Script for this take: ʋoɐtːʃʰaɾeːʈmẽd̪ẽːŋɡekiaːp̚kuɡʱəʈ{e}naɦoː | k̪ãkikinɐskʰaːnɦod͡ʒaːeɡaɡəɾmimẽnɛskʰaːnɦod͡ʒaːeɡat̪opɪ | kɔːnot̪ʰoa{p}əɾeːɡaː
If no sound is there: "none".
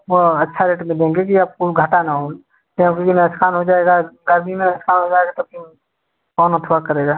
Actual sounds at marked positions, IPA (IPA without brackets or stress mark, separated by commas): a, k